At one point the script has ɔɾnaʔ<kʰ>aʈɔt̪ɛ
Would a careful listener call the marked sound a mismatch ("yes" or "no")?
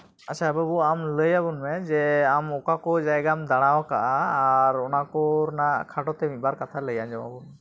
no